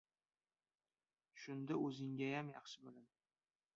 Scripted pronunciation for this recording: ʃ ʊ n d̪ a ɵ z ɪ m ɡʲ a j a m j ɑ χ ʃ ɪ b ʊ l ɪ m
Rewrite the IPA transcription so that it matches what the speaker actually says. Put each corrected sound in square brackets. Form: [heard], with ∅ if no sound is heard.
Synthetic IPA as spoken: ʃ ʊ n d̪ a ɵ z ɪ [ŋ] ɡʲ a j a m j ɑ χ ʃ ɪ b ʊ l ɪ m